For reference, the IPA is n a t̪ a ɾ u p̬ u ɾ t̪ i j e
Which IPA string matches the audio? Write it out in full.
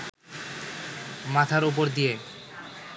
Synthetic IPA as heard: m a t̪ʰ a ɾ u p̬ o ɾ d̪ i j e